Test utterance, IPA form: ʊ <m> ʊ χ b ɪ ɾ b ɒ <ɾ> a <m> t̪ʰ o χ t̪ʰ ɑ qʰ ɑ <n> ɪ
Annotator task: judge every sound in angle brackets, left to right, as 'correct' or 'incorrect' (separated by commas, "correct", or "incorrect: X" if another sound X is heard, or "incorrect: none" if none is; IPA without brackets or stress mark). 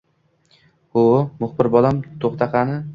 correct, incorrect: l, correct, correct